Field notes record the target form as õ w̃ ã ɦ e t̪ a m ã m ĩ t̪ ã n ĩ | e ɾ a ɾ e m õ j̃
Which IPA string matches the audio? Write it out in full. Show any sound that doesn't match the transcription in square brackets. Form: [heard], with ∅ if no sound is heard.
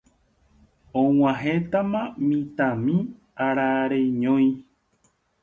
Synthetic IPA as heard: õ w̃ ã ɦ e t̪ a m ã m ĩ t̪ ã [m] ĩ | [a] ɾ a ɾ e [ɲ] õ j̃